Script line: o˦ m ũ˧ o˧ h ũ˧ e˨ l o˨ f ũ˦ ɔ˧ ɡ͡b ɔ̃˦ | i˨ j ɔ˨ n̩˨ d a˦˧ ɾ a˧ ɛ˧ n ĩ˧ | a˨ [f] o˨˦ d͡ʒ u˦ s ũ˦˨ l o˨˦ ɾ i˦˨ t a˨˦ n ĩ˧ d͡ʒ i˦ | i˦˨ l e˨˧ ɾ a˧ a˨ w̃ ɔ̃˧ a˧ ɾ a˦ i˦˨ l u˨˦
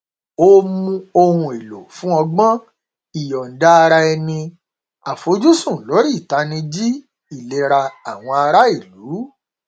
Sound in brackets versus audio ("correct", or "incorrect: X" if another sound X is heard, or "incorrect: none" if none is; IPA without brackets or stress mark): correct